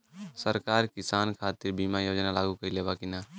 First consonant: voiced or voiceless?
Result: voiceless